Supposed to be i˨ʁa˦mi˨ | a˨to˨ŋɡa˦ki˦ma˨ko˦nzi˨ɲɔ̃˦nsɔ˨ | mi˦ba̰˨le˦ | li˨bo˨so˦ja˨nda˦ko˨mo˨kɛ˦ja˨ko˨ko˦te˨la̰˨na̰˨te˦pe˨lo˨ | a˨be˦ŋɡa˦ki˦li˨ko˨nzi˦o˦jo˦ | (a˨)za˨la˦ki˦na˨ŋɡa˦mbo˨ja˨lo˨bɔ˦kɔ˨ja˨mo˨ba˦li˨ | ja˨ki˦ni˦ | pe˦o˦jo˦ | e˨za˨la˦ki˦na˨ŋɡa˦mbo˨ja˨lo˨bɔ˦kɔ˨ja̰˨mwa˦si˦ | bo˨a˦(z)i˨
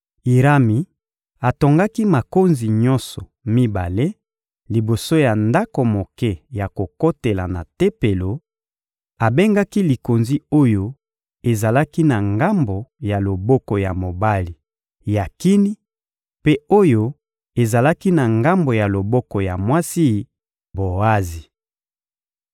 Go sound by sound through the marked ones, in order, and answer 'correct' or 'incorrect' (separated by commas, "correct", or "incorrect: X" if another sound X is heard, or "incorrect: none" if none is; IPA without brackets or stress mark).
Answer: incorrect: e˨, correct